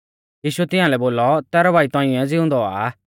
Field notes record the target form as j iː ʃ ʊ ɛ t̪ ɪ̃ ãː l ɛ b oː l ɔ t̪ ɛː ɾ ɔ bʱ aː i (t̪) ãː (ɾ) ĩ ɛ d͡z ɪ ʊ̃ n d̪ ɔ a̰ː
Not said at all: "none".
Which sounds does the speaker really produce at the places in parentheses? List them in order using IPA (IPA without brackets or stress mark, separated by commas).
t̪, none